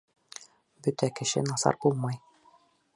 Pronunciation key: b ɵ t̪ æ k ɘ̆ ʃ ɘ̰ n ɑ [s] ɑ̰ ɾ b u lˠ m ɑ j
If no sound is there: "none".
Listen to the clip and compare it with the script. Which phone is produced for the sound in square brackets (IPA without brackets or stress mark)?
s